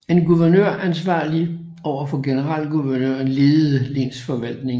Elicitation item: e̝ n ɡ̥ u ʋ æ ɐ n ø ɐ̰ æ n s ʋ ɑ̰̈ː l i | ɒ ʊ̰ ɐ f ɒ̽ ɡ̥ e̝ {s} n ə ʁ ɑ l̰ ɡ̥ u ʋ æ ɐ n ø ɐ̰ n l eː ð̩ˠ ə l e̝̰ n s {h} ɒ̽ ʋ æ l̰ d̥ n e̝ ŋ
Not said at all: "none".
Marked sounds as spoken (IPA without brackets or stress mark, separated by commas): none, f